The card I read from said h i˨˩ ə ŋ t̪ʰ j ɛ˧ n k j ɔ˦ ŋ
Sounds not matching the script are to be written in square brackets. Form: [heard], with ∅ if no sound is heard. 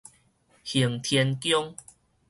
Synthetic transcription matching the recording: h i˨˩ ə ŋ t̪ʰ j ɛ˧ n k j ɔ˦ ŋ